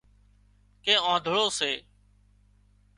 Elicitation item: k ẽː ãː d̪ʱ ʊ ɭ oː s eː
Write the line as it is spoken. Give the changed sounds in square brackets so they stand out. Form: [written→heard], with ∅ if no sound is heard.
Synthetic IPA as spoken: k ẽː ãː d̪ʱ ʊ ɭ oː s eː